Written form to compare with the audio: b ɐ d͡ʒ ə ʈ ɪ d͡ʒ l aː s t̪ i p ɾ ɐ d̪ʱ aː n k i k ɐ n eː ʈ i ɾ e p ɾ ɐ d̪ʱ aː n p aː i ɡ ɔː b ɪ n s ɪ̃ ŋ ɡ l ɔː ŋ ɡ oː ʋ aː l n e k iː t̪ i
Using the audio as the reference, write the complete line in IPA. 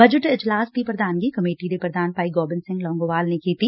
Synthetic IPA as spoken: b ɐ d͡ʒ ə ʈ ɪ d͡ʒ l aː s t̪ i p ɾ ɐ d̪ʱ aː n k i k ɐ m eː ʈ i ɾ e p ɾ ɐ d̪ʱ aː n p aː i ɡ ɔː b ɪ n s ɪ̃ ŋ ɡ l ɔː ŋ ɡ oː ʋ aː l n e k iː t̪ i